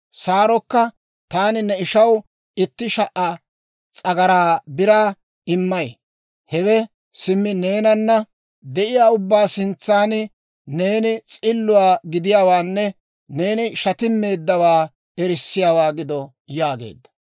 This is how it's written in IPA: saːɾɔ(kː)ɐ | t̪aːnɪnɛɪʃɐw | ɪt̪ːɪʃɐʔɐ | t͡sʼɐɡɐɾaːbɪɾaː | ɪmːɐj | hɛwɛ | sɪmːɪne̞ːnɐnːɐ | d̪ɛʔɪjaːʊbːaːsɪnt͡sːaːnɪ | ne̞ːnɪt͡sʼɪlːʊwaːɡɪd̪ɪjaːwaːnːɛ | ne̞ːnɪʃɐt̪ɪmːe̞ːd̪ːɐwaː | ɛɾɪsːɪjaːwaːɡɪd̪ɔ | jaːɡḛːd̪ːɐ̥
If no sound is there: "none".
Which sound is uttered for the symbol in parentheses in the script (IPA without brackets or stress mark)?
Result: kː